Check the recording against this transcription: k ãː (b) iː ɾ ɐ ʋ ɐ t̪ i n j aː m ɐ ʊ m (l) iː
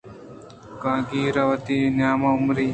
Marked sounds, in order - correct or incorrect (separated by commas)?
incorrect, incorrect